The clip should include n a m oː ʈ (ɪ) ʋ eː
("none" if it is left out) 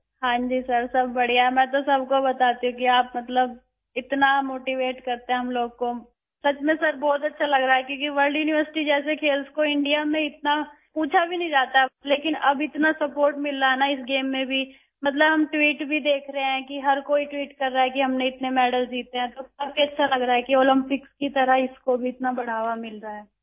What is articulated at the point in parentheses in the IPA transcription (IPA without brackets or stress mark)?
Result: i